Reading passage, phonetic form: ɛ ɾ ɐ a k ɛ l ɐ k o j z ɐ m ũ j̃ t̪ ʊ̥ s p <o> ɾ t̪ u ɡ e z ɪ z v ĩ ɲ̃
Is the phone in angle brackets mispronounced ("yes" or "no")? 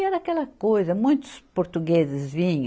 no